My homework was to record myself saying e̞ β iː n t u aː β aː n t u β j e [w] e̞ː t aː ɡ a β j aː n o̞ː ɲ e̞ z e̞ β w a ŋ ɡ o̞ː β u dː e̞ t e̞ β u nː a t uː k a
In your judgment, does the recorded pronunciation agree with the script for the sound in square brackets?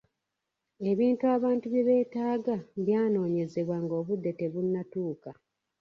no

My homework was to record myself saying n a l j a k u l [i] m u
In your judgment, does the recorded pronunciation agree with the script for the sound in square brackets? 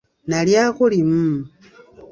yes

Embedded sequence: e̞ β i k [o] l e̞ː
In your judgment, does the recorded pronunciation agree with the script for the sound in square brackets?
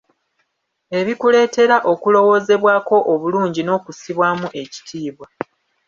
no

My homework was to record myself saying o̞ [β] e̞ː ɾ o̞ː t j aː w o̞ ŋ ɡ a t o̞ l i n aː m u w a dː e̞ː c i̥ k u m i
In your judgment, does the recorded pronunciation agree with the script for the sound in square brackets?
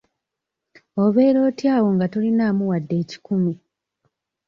yes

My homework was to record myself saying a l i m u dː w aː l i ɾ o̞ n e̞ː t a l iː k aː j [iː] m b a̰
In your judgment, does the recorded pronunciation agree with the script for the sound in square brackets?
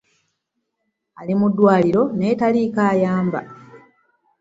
no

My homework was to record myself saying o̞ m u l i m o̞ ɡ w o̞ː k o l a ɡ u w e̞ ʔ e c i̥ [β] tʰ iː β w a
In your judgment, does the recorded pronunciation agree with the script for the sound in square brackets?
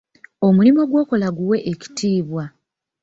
no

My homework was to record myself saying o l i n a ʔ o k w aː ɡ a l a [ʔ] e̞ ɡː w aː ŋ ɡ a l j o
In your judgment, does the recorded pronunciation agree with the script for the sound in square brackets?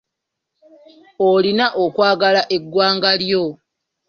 yes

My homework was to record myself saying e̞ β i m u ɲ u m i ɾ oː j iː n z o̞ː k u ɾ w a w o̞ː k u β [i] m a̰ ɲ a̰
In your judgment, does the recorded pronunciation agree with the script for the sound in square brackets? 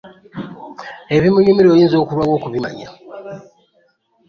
yes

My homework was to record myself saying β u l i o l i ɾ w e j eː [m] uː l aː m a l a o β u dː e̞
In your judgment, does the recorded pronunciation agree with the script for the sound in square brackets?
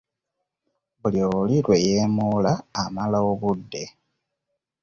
yes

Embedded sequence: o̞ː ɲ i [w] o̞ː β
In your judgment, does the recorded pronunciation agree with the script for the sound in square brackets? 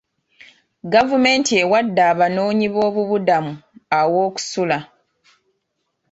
no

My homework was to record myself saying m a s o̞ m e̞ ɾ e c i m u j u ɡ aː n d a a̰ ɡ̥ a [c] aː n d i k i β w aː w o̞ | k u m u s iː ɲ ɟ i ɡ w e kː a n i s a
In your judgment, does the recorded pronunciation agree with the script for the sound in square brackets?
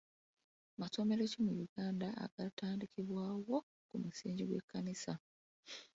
no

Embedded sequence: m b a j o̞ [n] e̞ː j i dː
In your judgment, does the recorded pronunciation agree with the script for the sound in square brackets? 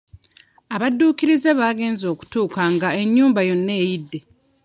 no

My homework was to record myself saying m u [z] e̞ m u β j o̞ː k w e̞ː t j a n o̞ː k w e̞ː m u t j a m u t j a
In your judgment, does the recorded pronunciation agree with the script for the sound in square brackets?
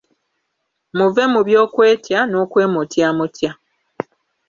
no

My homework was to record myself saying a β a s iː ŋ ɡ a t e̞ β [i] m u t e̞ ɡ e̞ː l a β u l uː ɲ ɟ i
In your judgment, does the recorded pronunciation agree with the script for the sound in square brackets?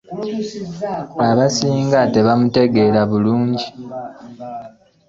no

